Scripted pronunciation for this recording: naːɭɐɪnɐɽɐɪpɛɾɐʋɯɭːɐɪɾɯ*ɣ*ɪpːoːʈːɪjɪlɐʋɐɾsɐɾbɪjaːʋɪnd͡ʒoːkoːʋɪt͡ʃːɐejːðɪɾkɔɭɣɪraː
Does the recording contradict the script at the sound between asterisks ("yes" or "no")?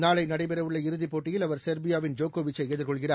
yes